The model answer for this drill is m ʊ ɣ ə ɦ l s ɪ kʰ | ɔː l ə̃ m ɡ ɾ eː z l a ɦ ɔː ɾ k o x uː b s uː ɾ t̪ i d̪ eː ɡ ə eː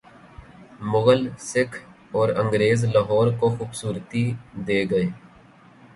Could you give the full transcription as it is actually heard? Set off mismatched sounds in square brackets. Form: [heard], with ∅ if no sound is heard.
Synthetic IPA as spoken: m ʊ ɣ ə [∅] l s ɪ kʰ | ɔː [ɾ] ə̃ [ŋ] ɡ ɾ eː z l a ɦ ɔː ɾ k o x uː b s uː ɾ t̪ i d̪ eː ɡ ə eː